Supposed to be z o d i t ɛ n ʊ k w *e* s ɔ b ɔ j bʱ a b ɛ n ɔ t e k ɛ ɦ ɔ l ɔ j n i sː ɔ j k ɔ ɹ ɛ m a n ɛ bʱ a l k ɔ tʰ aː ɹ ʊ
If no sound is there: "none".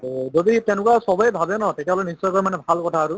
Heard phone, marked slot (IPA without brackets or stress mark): a